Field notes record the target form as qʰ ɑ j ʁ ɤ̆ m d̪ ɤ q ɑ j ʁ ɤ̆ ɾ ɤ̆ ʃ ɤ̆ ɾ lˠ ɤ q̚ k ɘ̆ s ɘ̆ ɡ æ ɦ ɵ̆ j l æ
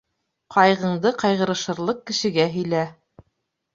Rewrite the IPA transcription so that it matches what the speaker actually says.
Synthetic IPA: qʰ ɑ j ʁ ɤ̆ ɴ d̪ ɤ q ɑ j ʁ ɤ̆ ɾ ɤ̆ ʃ ɤ̆ ɾ lˠ ɤ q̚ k ɘ̆ ʃ ɘ̆ ɡ æ ɦ ɵ̆ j l æ